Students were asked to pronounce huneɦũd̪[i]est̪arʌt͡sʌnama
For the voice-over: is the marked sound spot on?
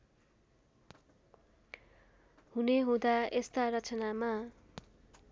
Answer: no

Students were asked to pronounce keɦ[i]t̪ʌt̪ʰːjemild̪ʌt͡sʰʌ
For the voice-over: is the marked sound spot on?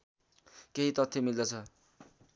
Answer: yes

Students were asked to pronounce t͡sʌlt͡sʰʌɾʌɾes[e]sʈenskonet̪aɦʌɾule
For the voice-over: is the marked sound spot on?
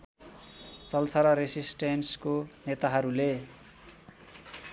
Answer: no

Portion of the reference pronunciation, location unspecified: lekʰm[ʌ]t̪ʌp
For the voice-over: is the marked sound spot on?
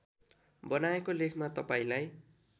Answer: no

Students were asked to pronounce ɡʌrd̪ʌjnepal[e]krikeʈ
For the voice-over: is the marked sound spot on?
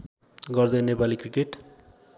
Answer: no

